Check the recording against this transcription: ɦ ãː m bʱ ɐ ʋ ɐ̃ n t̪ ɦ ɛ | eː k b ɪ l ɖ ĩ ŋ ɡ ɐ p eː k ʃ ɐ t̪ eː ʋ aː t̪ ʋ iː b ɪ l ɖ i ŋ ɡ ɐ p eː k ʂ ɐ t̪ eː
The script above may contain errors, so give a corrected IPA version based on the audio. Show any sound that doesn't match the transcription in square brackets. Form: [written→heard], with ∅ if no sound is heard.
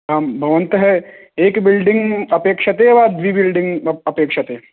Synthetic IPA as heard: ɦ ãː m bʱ ɐ ʋ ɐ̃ n t̪ ɦ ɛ | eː k b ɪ l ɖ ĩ ŋ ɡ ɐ p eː k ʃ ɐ t̪ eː ʋ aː [t̪→d̪] ʋ iː b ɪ l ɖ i ŋ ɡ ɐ p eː k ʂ ɐ t̪ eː